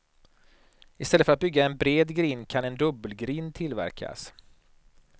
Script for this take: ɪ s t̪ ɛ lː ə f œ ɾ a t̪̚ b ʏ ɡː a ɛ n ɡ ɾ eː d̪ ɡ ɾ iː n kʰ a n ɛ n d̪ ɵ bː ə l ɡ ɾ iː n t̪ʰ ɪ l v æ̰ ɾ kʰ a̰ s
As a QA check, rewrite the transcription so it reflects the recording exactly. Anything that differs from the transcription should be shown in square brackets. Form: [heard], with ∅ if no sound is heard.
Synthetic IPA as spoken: ɪ s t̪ ɛ lː ə f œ ɾ a t̪̚ b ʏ ɡː a ɛ n [b] ɾ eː d̪ ɡ ɾ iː n kʰ a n ɛ n d̪ ɵ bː ə l ɡ ɾ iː n t̪ʰ ɪ l v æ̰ ɾ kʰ a̰ s